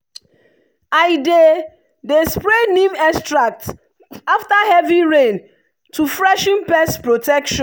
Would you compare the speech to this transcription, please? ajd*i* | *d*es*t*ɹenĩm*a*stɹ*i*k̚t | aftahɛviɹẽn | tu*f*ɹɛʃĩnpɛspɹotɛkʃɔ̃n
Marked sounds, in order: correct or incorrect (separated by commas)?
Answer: incorrect, correct, incorrect, incorrect, incorrect, correct